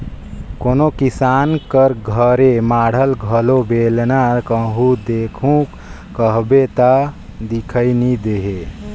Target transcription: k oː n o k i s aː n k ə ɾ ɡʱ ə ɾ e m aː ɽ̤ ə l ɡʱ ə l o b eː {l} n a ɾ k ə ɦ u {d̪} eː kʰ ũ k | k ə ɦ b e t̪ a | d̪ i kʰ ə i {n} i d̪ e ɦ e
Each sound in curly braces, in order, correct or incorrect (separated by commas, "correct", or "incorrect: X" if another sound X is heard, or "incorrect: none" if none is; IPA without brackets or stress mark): correct, correct, correct